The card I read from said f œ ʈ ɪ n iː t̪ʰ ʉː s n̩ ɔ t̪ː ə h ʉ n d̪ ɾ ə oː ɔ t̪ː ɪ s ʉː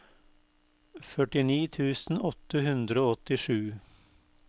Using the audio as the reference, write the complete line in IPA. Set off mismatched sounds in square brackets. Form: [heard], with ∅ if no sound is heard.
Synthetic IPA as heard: f œ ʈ ɪ n iː t̪ʰ ʉː s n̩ ɔ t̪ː ə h ʉ n d̪ ɾ ə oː ɔ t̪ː ɪ [ʂ] ʉː